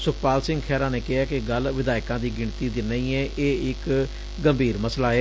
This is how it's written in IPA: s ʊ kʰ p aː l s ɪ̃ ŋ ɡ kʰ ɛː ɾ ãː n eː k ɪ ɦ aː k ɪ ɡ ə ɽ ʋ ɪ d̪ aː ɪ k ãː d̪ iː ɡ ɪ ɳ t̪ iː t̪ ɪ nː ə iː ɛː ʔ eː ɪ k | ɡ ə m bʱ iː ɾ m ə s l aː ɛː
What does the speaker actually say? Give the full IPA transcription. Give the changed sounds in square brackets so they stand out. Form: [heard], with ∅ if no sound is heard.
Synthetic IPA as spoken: s ʊ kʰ p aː l s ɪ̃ ŋ ɡ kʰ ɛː ɾ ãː n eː k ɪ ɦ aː k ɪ ɡ ə [l] ʋ ɪ d̪ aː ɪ k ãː d̪ iː ɡ ɪ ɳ t̪ iː [d̪] ɪ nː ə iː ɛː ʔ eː ɪ k | ɡ ə m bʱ iː ɾ m ə s l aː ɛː